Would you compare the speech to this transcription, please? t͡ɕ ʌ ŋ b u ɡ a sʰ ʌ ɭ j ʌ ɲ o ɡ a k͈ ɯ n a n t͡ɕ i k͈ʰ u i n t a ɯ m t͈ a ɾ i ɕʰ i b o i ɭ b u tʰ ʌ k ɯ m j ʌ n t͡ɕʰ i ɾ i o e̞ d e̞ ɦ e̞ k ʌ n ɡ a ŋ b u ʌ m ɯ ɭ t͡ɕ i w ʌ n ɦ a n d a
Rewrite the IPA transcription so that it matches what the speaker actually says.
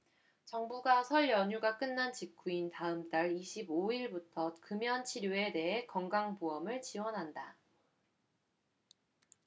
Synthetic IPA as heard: t͡ɕ ʌ ŋ b u ɡ a sʰ ʌ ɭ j ʌ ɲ u ɡ a k͈ ɯ nː a n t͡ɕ i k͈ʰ u i n t a ɯ m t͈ a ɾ i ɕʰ i b o i ɭ b u tʰ ʌ k ɯ m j ʌ n t͡ɕʰ i ɾ j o e̞ d e̞ ɦ e̞ k ʌ ŋ ɡ a ŋ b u ʌ m ɯ ɭ t͡ɕ i w ʌ n ɦ a n d a